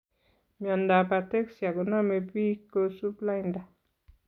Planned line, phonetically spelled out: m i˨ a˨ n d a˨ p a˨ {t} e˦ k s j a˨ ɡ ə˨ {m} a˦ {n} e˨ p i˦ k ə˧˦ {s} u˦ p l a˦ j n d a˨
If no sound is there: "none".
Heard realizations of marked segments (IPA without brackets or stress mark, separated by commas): t, n, m, s